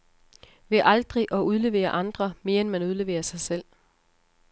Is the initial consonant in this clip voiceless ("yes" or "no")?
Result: no